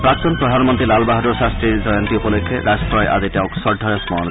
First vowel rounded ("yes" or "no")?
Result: no